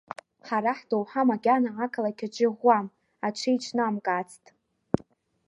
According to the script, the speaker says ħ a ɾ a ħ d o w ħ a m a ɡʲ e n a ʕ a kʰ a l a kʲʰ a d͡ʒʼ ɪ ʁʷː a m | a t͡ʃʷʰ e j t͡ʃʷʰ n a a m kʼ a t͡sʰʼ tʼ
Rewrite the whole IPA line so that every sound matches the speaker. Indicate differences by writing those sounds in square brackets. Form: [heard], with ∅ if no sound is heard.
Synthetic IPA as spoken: ħ a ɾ a ħ d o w ħ a m a ɡʲ [a] n a ʕ a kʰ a l a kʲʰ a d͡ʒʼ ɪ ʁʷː a m | a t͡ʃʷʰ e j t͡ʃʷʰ n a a m kʼ a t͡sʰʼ tʼ